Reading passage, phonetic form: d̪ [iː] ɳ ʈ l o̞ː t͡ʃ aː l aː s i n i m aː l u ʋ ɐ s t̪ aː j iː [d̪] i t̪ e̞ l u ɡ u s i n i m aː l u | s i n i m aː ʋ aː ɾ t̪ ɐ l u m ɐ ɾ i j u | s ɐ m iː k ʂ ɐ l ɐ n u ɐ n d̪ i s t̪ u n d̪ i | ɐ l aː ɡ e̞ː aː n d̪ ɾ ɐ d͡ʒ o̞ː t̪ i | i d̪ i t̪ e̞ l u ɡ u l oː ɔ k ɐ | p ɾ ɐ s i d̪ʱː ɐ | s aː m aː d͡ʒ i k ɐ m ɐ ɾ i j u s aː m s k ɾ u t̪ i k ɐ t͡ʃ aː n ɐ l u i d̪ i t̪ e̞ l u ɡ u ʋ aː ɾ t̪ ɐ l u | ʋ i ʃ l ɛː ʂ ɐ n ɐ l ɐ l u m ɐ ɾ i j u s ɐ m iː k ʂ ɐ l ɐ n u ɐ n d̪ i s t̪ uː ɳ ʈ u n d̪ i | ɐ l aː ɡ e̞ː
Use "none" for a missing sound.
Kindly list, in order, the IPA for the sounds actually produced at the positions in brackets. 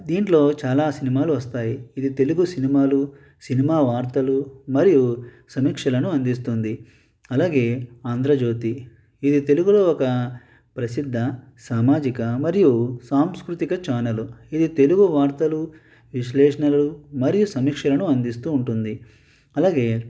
iː, d̪

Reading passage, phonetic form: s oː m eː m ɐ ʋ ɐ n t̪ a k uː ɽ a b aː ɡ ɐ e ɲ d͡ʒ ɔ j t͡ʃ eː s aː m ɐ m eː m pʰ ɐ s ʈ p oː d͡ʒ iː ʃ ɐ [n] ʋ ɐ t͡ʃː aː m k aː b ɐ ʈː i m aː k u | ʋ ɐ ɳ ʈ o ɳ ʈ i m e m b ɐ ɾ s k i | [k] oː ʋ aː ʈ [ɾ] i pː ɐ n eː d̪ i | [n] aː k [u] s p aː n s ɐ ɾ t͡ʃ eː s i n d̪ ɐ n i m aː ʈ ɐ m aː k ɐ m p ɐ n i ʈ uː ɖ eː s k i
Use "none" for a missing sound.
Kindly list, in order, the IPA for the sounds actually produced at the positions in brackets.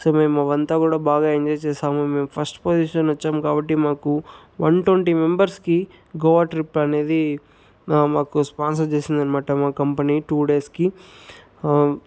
n, ɡ, ɾ, m, u

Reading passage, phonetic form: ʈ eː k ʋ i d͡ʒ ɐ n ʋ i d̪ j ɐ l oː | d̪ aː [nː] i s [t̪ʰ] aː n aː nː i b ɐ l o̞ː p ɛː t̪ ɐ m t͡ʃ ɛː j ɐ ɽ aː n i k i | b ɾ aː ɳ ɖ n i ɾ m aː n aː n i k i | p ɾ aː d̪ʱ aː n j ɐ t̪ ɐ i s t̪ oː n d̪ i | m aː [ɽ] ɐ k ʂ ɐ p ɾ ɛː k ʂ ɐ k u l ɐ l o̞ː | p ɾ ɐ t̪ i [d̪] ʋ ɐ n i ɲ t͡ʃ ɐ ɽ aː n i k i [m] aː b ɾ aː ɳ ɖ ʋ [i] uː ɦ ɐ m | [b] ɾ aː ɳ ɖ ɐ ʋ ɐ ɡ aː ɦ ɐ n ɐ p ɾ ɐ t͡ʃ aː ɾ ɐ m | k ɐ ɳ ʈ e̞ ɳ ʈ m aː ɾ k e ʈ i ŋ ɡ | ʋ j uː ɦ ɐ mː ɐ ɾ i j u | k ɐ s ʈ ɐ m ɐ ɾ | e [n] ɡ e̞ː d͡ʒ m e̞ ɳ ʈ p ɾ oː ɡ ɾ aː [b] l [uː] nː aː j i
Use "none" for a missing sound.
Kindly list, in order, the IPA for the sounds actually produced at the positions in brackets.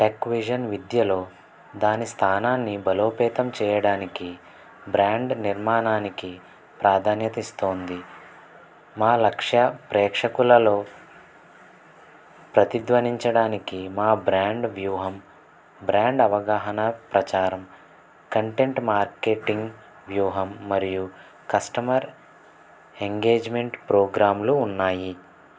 n, t̪ʰ, l, d̪, m, j, b, ŋ, m, uː

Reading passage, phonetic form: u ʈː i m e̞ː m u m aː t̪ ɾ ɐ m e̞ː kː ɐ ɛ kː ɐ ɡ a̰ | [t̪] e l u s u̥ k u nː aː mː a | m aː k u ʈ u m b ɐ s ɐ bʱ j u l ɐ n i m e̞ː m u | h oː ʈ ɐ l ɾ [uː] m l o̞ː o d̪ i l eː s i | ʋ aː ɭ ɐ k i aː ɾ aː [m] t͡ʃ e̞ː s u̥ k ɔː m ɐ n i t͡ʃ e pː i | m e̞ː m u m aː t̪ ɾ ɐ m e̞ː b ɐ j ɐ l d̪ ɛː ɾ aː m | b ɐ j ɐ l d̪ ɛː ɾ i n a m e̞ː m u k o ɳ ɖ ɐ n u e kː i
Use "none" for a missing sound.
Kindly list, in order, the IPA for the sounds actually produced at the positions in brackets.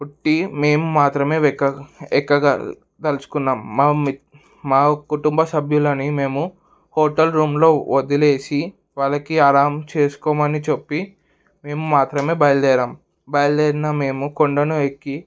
t̪, uː, m

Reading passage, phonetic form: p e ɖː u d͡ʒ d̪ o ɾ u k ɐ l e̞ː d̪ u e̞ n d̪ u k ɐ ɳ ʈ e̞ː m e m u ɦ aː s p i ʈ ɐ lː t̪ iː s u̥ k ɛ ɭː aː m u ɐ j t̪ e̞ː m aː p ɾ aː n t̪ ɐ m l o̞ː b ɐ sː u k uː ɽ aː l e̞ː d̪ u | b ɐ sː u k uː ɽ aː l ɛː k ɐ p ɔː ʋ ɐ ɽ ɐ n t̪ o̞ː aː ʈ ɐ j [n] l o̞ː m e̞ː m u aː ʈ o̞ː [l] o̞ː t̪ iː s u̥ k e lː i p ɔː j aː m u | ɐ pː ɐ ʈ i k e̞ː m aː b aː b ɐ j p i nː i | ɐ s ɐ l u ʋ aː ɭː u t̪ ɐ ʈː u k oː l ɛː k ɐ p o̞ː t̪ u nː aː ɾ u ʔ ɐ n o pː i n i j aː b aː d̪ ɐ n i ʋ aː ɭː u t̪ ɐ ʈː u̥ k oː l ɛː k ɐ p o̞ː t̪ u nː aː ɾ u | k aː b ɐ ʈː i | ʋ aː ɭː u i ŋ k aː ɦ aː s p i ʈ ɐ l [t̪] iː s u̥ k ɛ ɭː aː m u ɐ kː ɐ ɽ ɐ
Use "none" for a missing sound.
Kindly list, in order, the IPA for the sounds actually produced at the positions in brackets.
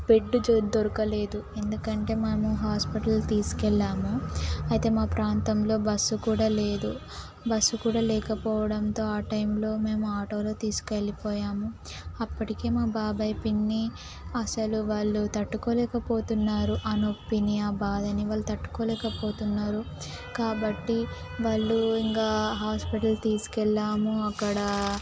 m, l, t̪

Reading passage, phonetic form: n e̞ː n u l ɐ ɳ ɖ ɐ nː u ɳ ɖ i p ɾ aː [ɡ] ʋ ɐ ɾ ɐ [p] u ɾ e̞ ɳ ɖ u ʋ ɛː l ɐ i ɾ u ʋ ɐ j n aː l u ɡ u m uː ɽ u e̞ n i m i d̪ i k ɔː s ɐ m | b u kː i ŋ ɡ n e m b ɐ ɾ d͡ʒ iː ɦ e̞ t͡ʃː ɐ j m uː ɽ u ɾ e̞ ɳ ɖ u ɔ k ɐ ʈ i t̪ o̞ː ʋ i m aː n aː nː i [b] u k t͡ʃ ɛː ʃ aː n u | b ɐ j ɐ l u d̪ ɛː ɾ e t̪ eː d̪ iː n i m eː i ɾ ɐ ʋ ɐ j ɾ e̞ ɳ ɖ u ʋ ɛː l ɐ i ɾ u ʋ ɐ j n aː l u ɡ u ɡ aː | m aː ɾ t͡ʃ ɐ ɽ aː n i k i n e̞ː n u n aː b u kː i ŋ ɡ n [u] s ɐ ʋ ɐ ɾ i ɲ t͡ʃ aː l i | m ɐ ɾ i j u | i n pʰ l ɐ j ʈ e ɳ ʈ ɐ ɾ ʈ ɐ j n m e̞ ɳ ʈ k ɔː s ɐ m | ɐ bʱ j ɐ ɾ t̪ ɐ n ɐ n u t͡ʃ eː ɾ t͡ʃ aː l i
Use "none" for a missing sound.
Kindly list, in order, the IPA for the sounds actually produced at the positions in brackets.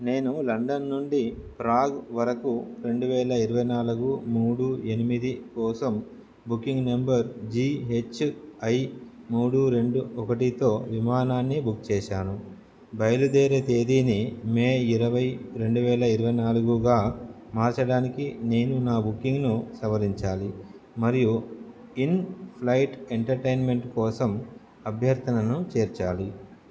ɡ, k, b, u

